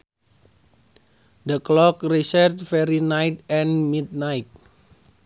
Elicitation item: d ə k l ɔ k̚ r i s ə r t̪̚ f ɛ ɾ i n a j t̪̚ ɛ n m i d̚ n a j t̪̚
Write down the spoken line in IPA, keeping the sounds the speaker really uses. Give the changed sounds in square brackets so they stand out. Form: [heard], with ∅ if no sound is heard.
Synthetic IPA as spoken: d ə k l ɔ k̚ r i s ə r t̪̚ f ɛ ɾ i n a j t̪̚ ɛ n m i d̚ n a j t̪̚